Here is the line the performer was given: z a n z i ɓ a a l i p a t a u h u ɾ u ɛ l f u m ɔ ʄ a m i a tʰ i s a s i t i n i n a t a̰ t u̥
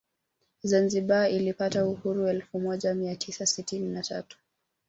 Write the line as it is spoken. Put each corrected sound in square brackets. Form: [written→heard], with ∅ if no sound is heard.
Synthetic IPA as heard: z a n z i ɓ a [a→i] l i p a t a u h u ɾ u ɛ l f u m ɔ ʄ a m i a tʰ i s a s i t i n i n a t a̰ t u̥